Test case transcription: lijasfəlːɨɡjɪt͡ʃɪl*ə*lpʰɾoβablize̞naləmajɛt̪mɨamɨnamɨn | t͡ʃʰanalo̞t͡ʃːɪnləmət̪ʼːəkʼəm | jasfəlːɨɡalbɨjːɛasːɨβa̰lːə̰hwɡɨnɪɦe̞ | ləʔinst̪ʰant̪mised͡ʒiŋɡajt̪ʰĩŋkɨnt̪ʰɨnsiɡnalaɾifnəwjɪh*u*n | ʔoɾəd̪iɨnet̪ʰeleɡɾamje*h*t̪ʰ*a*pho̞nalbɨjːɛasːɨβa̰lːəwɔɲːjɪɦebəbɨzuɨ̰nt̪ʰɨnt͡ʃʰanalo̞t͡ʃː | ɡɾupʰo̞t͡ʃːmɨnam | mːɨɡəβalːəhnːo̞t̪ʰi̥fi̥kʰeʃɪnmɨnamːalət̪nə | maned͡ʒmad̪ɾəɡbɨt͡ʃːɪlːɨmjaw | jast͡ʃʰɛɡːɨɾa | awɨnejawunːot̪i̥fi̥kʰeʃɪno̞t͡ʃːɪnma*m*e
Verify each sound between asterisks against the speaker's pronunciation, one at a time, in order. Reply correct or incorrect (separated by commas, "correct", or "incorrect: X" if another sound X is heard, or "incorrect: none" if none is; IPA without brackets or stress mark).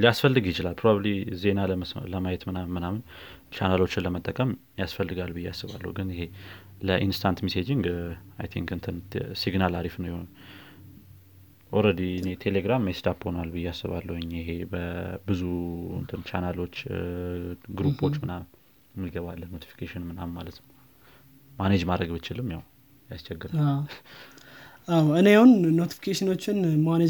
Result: incorrect: a, incorrect: o, incorrect: s, correct, incorrect: n